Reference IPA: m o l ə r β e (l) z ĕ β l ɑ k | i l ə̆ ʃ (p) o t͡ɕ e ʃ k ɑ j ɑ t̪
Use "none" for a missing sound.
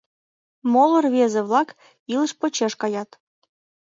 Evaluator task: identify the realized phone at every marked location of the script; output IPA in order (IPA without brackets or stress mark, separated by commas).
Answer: none, p